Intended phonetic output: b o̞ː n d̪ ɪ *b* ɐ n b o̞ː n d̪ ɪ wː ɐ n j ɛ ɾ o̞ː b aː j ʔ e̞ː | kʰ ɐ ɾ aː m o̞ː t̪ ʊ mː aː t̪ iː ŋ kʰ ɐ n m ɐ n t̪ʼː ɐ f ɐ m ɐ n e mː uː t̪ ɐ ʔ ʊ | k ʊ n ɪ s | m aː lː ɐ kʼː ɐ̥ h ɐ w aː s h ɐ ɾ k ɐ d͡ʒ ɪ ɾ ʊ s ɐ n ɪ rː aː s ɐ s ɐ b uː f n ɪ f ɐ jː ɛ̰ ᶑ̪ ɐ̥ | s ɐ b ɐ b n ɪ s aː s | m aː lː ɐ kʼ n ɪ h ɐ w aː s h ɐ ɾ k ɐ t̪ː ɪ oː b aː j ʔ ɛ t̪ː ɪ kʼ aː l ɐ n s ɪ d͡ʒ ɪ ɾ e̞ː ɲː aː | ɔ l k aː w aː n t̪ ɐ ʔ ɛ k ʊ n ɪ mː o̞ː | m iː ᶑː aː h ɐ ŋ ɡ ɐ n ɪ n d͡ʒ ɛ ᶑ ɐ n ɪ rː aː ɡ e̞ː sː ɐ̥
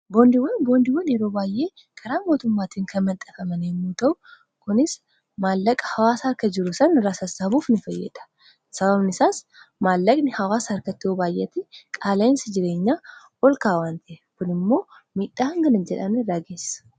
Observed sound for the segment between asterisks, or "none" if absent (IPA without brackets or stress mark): w